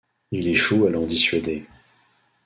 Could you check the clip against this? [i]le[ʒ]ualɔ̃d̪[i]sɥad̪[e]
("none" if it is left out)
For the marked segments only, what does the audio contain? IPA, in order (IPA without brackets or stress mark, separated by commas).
i, ʃ, i, e